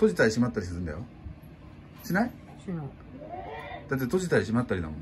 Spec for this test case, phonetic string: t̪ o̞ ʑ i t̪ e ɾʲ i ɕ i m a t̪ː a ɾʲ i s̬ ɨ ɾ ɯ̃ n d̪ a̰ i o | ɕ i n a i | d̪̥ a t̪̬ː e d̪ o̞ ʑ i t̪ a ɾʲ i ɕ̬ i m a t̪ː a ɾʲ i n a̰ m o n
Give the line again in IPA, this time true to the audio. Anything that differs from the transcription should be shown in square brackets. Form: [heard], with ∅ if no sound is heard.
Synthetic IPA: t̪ o̞ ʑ i t̪ [a] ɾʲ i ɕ i m a t̪ː a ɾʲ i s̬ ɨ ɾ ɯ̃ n d̪ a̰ [j] o | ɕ i n a i | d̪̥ a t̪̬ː e [t̪] o̞ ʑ i t̪ a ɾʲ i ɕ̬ i m a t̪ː a ɾʲ i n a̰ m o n